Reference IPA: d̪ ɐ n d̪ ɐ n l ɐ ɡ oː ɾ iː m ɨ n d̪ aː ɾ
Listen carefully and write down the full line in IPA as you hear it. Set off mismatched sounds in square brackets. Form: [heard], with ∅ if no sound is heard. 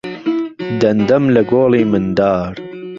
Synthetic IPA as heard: d̪ ɐ n d̪ ɐ [m] l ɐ ɡ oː [l] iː m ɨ n d̪ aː ɾ

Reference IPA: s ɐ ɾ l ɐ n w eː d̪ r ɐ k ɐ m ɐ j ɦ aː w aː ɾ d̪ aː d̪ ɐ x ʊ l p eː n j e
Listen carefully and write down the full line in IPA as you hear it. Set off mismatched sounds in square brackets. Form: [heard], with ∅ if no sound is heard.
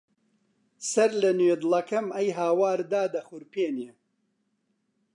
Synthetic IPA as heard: s ɐ ɾ l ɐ n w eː d̪ [l] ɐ k ɐ m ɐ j ɦ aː w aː ɾ d̪ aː d̪ ɐ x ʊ [ɾ] p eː n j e

